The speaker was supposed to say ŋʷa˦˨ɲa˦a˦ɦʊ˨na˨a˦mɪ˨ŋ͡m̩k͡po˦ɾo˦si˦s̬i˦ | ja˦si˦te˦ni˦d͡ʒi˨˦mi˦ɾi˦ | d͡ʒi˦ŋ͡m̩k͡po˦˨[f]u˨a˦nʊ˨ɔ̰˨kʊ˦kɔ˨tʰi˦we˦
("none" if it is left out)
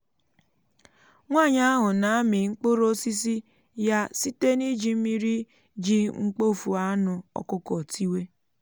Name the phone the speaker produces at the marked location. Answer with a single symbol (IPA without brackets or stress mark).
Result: f